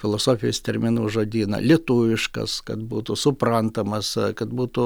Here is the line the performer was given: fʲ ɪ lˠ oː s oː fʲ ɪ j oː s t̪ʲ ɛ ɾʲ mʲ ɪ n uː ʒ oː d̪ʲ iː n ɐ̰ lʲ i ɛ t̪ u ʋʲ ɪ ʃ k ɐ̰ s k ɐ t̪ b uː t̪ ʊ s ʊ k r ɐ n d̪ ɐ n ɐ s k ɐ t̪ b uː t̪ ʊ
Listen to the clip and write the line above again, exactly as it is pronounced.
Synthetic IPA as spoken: fʲ ɪ lˠ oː s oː fʲ ɪ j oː s t̪ʲ ɛ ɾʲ mʲ ɪ n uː ʒ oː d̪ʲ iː n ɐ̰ lʲ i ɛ t̪ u ʋʲ ɪ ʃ k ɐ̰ s k ɐ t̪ b uː t̪ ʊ s ʊ p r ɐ n t̪ ɐ m ɐ s k ɐ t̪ b uː t̪ ʊ